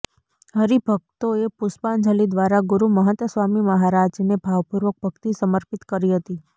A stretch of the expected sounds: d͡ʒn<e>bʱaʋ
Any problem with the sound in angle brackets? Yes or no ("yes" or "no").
no